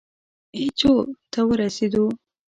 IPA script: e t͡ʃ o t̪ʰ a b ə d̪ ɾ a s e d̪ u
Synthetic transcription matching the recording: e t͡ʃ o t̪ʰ a w ə ɾ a s e d̪ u